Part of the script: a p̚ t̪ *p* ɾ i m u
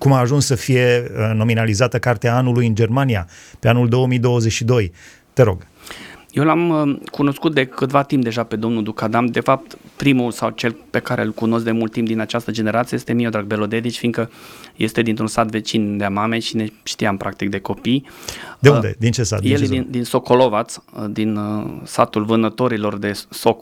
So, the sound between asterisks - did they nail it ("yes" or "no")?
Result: yes